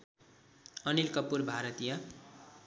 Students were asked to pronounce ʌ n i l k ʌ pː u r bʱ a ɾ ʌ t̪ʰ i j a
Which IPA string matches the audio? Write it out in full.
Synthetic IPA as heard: ʌ n i l k ʌ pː u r bʱ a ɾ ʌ t̪ i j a